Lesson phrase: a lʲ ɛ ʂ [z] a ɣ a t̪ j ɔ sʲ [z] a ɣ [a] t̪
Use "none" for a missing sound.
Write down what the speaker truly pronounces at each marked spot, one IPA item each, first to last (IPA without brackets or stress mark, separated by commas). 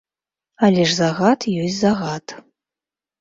z, z, a